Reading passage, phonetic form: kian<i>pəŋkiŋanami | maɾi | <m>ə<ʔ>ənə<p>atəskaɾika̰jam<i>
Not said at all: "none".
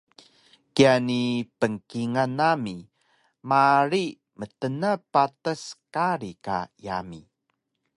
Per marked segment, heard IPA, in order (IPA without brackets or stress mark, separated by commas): i, m, t, p, i